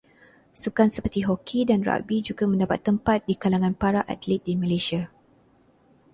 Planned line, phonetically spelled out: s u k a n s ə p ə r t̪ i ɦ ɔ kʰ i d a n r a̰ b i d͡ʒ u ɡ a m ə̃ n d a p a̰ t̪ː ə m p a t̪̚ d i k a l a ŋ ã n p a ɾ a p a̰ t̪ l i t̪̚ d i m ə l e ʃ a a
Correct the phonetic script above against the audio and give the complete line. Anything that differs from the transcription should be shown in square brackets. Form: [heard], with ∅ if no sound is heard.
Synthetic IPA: s u k a n s ə p ə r t̪ i ɦ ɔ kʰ i d a n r a̰ b i d͡ʒ u ɡ a m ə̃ n d a p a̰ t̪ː ə m p a t̪̚ d i k a l a ŋ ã n p a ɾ a [ʔ] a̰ t̪ l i t̪̚ d i m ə l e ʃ [i] a